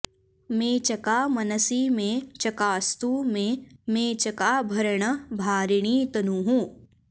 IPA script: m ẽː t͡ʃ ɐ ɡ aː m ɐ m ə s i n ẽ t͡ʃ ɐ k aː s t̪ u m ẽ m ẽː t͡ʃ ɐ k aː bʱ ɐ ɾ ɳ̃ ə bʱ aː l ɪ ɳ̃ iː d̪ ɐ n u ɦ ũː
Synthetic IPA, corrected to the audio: m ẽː t͡ʃ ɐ k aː m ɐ n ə s i m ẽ t͡ʃ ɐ k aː s t̪ u m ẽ m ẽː t͡ʃ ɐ k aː bʱ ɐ ɾ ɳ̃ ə bʱ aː ɾ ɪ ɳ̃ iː t̪ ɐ n u ɦ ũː